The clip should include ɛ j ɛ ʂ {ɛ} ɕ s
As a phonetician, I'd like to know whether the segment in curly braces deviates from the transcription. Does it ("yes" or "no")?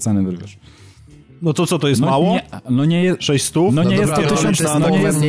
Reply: no